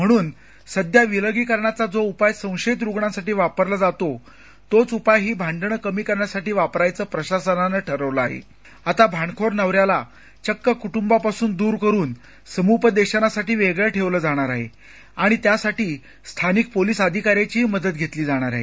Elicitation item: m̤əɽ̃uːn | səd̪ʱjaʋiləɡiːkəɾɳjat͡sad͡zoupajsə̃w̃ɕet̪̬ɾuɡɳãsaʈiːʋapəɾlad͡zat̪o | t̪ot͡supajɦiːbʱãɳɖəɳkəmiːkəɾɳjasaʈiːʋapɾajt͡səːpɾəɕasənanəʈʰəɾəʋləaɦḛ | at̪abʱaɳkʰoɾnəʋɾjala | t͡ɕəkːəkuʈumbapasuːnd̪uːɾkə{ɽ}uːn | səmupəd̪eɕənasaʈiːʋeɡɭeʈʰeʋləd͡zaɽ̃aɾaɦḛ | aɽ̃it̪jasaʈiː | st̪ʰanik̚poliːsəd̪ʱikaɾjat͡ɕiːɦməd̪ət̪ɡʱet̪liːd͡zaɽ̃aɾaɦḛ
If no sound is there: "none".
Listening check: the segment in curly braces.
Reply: ɾ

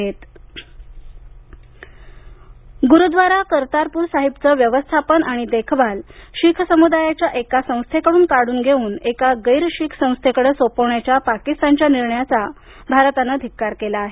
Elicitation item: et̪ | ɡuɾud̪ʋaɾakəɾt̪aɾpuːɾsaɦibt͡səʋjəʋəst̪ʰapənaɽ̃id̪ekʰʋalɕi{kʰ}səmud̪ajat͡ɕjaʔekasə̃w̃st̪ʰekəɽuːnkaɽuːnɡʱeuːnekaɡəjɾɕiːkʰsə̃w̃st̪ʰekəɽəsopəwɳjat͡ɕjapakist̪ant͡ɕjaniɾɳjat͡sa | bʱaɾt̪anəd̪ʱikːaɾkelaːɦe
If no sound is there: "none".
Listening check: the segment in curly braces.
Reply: kʰ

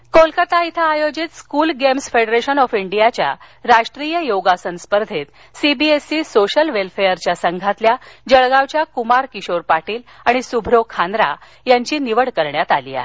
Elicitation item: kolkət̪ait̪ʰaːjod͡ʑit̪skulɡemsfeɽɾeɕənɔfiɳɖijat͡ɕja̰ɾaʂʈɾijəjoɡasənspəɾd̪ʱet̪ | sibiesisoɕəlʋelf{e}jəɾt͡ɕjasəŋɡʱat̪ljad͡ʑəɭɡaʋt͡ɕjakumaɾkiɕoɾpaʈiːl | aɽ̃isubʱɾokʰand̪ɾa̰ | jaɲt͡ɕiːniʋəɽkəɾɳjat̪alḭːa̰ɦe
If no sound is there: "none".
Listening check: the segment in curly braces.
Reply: e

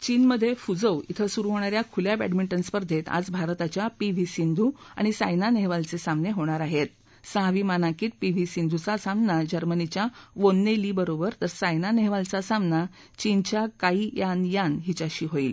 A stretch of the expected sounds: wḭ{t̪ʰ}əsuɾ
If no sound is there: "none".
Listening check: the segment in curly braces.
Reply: t̪ʰ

